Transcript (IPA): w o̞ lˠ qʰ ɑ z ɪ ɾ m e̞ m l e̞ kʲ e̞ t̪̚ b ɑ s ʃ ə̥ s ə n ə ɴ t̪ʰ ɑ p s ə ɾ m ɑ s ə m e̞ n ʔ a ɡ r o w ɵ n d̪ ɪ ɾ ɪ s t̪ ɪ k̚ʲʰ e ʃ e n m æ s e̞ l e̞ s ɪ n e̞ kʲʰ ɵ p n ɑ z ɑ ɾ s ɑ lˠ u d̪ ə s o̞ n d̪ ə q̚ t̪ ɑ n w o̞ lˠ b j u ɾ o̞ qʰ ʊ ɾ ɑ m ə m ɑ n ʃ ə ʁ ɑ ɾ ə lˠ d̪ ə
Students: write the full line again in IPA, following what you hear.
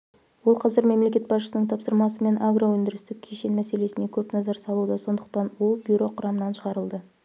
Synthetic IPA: w o̞ lˠ qʰ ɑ z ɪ ɾ m e̞ m l e̞ kʲ e̞ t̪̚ b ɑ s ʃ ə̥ s ə n ə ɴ t̪ʰ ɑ p s ə ɾ m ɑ s ə m e̞ n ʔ a ɡ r o w ɵ n d̪ ɪ ɾ ɪ s t̪ ɪ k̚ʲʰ e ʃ e n m æ s e̞ l e̞ s ɪ n e̞ kʲʰ ɵ p n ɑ z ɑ ɾ s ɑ lˠ u d̪ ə s o̞ n d̪ ə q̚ t̪ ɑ n w o̞ lˠ b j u ɾ o̞ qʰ ʊ ɾ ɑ m ə n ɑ n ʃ ə ʁ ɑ ɾ ə lˠ d̪ ə